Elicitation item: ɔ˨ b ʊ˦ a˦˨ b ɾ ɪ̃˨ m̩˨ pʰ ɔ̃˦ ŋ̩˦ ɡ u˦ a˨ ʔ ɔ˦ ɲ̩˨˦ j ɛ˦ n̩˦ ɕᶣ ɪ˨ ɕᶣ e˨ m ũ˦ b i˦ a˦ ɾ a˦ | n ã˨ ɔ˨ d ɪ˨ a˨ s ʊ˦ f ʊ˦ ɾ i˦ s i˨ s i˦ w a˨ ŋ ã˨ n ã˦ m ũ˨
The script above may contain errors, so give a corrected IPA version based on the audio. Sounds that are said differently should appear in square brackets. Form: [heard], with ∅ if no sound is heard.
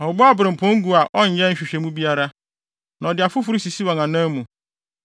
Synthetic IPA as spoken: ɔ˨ b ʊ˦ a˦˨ b ɾ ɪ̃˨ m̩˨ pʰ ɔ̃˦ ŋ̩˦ ɡ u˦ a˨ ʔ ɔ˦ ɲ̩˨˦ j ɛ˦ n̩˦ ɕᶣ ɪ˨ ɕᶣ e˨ m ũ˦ b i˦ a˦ ɾ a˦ | n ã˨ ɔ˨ d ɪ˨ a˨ [f] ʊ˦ f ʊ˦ ɾ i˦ s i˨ s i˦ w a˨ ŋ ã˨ n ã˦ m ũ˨